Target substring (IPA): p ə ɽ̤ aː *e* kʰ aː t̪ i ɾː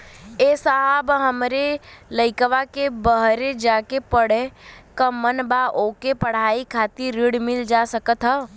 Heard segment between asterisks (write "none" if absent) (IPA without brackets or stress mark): i